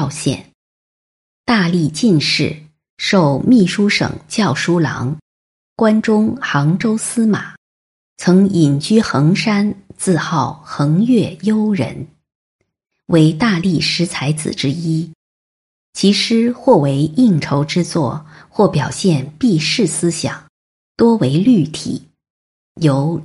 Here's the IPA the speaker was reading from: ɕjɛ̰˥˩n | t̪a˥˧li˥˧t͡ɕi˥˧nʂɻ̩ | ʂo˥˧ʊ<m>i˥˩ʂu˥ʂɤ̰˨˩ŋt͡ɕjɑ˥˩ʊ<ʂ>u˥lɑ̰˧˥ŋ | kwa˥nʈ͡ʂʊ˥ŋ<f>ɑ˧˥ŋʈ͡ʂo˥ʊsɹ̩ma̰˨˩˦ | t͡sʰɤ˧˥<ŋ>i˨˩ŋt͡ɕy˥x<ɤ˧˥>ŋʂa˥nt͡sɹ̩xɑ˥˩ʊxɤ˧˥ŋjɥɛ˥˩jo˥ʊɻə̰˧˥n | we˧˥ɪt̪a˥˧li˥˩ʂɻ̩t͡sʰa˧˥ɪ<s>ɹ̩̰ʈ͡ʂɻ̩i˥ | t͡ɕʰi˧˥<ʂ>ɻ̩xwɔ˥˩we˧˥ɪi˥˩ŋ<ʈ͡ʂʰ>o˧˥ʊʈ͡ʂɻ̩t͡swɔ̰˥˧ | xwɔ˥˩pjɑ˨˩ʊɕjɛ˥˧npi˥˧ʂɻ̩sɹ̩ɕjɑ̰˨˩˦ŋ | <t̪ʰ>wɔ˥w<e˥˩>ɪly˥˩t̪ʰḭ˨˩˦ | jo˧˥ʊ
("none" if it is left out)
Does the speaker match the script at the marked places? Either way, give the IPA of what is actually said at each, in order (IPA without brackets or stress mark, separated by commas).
m, ʂ, x, ŋ, ɤ˧˥, t͡s, ʂ, ʈ͡ʂʰ, t̪, e˧˥